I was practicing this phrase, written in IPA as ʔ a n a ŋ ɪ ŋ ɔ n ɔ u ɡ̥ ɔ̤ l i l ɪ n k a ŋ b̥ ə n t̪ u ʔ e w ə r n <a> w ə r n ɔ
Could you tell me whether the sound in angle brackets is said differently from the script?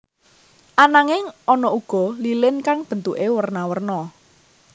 no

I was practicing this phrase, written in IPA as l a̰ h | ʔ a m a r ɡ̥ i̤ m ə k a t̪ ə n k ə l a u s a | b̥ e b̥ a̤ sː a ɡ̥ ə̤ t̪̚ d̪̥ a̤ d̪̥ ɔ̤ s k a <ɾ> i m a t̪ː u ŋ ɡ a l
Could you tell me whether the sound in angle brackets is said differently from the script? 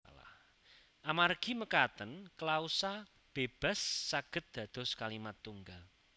yes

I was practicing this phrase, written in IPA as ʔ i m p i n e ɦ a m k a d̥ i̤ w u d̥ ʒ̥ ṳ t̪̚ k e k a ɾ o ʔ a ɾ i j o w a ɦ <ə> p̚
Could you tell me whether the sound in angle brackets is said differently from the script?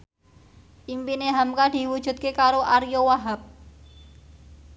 yes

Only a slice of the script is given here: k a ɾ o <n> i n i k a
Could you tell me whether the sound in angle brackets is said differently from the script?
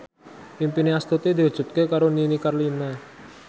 no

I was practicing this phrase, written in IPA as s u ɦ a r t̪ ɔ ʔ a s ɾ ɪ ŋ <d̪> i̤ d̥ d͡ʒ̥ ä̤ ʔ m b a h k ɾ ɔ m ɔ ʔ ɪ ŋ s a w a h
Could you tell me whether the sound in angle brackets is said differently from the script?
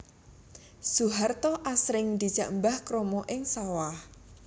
no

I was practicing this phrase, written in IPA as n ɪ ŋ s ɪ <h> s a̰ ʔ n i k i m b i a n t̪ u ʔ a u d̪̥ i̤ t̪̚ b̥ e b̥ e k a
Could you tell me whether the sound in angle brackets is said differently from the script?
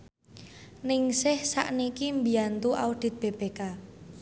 no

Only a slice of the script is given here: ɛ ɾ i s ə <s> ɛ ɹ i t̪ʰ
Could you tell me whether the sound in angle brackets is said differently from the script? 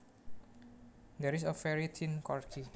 yes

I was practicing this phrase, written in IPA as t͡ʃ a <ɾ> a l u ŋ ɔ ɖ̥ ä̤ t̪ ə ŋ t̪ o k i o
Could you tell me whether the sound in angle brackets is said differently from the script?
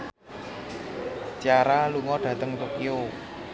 no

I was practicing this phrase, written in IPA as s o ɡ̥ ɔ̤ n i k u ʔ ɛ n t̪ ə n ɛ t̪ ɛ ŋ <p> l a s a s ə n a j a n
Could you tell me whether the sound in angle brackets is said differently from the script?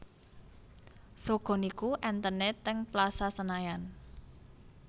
no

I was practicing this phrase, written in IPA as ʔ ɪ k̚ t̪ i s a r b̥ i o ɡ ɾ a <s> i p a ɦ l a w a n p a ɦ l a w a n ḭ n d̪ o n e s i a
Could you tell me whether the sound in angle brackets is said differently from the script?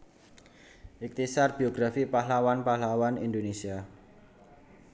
yes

